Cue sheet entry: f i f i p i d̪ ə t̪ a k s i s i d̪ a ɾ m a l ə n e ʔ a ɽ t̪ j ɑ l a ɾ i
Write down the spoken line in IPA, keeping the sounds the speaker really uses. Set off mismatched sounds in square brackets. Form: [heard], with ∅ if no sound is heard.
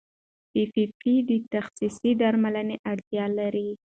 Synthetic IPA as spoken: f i f i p i d̪ ə t̪ a [x] s i s i d̪ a ɾ m a l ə n e ʔ a ɽ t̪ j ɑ l a ɾ i